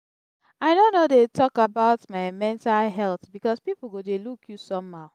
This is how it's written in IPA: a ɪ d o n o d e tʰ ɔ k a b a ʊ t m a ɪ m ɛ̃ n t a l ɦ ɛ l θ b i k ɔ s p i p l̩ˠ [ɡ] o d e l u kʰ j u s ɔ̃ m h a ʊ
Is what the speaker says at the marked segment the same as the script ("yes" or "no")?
yes